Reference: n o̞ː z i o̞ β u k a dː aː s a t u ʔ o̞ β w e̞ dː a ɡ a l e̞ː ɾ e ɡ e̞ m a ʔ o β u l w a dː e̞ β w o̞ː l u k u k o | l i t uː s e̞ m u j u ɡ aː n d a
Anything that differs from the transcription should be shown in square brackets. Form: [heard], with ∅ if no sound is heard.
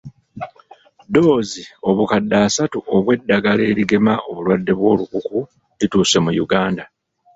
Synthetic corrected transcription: [d] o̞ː z i o̞ β u k a dː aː s a t u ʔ o̞ β w e̞ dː a ɡ a l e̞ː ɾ [i] ɡ e̞ m a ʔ o β u l w a dː e̞ β w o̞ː l u k u k [u] | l i t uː s e̞ m u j u ɡ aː n d a